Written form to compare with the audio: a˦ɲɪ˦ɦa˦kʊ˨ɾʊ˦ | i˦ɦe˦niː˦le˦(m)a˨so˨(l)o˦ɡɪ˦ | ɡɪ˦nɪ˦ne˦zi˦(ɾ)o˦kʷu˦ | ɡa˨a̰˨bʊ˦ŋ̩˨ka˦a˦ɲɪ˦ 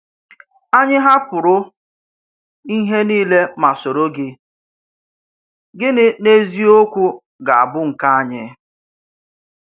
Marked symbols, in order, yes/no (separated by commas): yes, no, no